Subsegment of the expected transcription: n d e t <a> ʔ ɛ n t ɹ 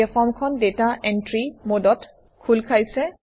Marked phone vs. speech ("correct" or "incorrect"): correct